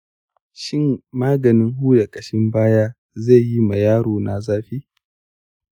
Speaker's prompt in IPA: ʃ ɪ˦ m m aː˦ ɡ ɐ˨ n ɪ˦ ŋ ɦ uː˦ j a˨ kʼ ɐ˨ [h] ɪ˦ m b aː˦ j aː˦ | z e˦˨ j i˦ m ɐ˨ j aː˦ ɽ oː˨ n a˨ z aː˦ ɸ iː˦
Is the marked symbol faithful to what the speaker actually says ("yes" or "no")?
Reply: no